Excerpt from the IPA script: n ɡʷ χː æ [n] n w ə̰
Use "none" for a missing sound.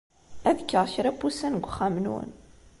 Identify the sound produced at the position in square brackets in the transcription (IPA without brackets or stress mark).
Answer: m